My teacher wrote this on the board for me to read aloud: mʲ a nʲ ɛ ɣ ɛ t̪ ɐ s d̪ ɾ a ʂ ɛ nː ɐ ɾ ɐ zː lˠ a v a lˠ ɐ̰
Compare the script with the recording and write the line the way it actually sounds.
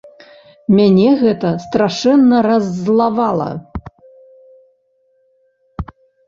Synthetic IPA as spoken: mʲ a nʲ ɛ ɣ ɛ t̪ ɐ s t̪ ɾ a ʂ ɛ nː ɐ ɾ ɐ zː lˠ a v a lˠ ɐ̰